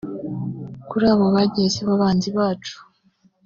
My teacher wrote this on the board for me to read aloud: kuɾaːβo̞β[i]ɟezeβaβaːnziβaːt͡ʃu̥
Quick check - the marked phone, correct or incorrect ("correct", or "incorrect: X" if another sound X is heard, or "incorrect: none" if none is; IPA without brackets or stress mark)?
incorrect: a